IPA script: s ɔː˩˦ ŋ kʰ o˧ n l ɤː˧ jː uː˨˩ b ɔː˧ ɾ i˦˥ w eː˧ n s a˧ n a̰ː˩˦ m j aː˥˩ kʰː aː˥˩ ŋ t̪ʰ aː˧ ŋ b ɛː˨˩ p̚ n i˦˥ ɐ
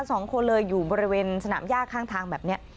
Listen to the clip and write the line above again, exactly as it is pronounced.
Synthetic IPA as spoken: s ɔː˩˦ ŋ kʰ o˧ n l ɤː˧ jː uː˨˩ b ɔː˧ ɾ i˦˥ w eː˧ n s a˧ n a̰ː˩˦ m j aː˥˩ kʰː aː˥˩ ŋ t̪ʰ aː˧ ŋ b ɛː˨˩ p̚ n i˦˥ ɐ